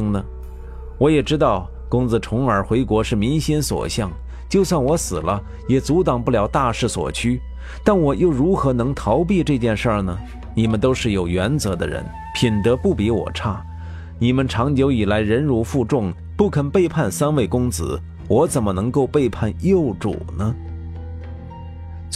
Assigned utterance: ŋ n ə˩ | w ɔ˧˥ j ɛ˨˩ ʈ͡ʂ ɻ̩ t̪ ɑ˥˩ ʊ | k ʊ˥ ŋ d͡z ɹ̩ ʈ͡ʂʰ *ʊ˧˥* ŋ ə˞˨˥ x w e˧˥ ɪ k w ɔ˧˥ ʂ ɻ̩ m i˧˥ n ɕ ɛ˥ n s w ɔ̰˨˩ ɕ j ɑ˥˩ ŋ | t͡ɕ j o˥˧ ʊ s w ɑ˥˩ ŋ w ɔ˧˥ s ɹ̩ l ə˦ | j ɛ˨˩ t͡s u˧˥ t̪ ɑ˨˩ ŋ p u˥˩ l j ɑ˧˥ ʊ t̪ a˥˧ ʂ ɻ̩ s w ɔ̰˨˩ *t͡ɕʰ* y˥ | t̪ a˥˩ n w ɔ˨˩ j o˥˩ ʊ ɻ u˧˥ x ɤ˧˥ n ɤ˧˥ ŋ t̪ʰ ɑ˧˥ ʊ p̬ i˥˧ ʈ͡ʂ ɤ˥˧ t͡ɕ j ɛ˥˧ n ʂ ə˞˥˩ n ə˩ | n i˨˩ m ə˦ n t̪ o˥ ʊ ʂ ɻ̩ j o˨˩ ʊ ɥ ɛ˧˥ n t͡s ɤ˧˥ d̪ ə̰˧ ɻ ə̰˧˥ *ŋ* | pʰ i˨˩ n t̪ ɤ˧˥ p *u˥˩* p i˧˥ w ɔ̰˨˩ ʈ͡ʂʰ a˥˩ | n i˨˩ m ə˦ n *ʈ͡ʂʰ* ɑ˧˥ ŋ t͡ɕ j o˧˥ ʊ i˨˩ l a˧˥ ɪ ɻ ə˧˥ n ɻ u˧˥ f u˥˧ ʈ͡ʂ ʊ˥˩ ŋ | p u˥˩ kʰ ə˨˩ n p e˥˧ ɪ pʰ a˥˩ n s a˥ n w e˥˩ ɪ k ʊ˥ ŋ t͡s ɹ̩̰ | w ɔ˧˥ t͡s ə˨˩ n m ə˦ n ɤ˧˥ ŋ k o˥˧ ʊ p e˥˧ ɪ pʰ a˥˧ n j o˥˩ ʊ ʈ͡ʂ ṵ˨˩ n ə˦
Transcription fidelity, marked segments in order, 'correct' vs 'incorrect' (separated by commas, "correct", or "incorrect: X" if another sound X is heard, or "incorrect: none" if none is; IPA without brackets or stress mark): correct, correct, incorrect: n, correct, correct